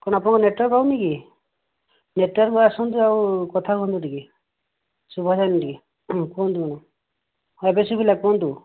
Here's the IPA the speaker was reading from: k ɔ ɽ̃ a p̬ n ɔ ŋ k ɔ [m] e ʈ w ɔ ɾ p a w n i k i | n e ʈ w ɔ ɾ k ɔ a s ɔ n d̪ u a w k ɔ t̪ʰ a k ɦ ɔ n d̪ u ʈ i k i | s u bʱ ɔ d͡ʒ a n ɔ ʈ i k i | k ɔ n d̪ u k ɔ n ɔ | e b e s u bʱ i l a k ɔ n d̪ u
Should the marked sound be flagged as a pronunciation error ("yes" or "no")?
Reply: yes